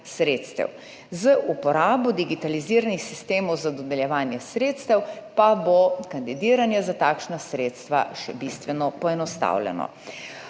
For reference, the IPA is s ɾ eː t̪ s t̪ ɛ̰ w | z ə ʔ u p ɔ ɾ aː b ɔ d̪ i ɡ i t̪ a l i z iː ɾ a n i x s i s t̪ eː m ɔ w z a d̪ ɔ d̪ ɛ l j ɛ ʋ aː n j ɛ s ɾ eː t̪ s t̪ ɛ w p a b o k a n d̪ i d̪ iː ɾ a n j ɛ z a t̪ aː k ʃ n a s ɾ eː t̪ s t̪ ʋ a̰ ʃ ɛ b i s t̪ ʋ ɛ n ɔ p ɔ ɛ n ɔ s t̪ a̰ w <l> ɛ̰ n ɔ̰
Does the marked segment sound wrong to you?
no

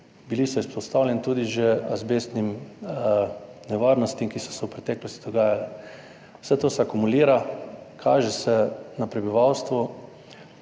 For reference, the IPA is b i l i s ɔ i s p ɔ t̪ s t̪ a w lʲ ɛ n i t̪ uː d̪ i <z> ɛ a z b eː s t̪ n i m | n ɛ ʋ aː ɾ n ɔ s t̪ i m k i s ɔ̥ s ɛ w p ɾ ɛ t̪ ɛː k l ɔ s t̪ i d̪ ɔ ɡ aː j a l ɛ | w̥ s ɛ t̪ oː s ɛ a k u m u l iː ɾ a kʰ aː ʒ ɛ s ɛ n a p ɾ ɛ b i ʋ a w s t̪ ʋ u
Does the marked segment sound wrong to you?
yes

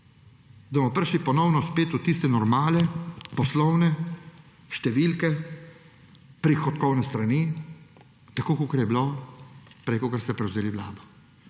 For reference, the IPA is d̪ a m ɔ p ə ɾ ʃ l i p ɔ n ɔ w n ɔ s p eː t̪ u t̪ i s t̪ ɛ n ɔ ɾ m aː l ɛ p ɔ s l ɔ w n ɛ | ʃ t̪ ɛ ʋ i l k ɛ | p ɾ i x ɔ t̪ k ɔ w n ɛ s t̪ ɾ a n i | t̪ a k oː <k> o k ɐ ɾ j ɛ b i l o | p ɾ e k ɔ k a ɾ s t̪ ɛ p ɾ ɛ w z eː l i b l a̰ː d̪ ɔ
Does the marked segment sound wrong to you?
no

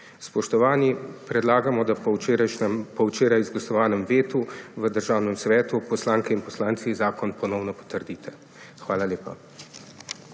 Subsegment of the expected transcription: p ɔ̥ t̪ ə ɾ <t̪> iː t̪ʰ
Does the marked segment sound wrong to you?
yes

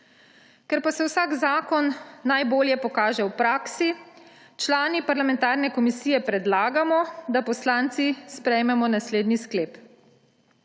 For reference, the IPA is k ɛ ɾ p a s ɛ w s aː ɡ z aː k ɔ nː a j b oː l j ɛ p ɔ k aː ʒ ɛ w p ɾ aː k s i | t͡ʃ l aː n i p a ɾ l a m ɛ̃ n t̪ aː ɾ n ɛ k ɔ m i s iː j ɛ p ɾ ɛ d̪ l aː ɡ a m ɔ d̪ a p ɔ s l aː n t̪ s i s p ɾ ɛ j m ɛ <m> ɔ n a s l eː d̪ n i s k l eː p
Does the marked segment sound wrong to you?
no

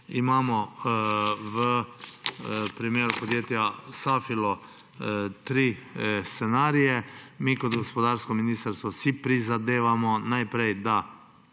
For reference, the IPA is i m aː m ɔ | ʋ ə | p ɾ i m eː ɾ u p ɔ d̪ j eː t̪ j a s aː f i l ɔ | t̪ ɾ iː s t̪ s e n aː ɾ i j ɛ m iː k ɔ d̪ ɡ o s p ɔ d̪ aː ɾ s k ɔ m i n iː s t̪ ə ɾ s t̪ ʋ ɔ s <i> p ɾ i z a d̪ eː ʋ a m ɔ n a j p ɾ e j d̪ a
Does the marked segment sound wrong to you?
no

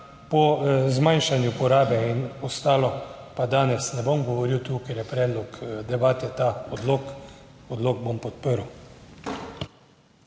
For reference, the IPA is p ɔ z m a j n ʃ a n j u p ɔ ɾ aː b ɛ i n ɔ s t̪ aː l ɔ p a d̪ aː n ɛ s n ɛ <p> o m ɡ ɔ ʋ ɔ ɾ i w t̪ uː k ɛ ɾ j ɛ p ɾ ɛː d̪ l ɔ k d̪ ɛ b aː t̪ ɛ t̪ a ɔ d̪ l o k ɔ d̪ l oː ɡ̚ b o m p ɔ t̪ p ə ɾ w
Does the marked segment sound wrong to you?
yes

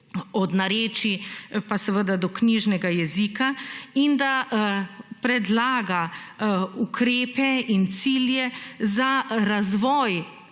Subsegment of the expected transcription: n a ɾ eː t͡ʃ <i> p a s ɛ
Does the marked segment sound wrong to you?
no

